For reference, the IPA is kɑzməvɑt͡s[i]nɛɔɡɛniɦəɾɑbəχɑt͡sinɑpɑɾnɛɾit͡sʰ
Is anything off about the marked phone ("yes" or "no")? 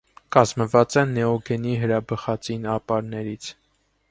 yes